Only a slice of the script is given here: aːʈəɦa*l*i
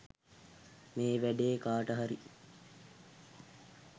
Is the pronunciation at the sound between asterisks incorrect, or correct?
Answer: incorrect: ɾ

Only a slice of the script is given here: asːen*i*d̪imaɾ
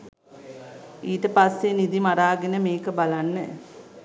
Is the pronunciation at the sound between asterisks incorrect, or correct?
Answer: correct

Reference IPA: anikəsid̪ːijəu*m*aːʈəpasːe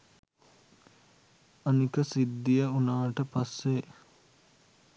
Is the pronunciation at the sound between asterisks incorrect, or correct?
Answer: incorrect: n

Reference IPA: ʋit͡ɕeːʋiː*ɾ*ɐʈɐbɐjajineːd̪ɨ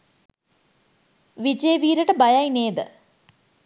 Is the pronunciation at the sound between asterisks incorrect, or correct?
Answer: correct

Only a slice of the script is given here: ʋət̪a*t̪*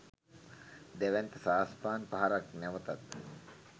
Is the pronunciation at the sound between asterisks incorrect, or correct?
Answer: correct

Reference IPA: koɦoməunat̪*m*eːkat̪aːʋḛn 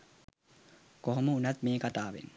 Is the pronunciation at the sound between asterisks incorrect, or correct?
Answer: correct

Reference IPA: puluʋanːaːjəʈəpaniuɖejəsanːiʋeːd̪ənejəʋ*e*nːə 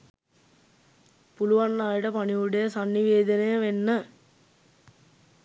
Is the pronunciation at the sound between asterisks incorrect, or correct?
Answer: correct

